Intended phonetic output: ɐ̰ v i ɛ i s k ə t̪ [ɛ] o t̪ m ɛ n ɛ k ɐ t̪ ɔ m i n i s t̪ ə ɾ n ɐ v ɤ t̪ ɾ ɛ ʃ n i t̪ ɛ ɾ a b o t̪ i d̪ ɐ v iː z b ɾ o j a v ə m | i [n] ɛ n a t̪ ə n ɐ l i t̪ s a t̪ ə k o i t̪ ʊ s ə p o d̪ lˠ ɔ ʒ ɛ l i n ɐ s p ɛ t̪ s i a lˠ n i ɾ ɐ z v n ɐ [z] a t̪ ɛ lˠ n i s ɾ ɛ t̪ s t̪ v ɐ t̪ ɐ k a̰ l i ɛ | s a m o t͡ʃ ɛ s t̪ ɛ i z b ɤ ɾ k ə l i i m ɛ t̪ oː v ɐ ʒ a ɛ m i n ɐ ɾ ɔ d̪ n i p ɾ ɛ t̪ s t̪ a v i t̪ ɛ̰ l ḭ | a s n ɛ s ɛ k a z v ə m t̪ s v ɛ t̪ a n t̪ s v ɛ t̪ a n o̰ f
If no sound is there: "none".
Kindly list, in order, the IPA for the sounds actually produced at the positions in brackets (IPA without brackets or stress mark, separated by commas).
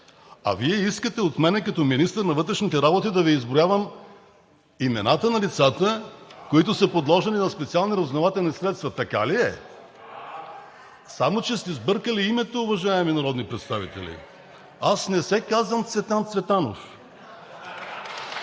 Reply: ɛ, m, v